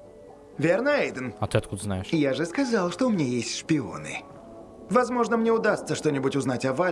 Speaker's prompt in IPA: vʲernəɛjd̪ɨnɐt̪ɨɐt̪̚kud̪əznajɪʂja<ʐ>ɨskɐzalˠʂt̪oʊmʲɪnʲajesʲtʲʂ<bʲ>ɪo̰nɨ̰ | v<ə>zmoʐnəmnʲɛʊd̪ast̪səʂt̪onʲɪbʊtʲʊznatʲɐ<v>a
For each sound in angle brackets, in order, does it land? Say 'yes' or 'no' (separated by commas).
yes, no, no, yes